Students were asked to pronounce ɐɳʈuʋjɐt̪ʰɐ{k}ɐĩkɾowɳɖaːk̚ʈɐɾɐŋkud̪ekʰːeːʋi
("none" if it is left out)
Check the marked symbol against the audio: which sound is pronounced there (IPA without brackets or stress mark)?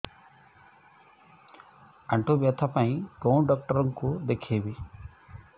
p